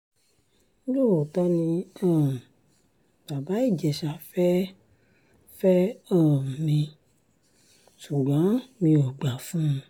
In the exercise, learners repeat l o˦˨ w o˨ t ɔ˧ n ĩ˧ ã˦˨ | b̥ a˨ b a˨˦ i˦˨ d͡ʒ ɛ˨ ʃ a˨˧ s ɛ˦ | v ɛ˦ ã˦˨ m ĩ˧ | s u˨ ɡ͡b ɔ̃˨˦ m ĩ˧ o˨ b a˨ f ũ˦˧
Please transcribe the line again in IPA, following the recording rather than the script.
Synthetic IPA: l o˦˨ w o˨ t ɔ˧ n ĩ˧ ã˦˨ | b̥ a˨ b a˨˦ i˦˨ d͡ʒ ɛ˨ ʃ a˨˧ f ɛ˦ | f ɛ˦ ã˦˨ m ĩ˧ | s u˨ ɡ͡b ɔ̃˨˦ m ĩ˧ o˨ ɡ͡b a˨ f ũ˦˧